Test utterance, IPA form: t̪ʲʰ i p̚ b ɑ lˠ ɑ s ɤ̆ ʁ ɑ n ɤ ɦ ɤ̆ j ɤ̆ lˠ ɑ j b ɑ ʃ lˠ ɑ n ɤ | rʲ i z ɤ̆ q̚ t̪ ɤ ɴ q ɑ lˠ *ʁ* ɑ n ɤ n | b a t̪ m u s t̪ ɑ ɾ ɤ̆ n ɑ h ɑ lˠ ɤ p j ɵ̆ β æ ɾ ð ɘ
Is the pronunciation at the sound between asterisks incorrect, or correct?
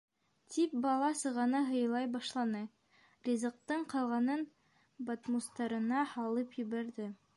correct